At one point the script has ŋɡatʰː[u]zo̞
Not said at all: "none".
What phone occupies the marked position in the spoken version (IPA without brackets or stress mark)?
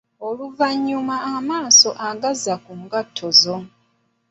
o